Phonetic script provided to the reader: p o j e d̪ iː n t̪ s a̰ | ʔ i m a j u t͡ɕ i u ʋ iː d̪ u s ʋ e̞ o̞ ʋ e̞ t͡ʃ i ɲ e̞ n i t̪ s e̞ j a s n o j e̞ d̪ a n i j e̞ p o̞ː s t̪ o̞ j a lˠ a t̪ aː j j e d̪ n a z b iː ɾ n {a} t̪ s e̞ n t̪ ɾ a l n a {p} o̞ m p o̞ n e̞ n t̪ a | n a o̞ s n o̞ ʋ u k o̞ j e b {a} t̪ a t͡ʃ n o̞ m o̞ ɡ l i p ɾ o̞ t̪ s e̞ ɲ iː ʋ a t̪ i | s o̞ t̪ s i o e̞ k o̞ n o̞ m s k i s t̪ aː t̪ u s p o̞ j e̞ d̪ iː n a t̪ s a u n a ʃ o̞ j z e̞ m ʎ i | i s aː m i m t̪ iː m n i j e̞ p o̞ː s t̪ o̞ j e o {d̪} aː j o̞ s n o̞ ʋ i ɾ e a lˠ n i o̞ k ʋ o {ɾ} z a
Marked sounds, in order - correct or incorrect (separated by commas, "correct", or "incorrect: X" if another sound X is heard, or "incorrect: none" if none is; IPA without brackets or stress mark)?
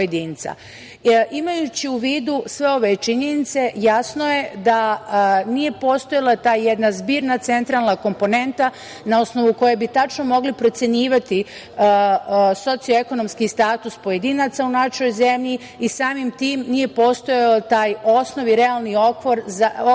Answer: correct, incorrect: k, incorrect: i, incorrect: t̪, correct